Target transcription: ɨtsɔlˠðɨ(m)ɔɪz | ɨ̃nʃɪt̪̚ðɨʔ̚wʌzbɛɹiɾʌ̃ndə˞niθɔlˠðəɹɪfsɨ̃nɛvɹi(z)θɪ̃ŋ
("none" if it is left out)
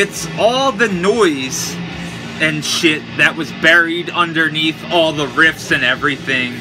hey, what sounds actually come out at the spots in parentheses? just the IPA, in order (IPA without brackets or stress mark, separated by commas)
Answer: n, none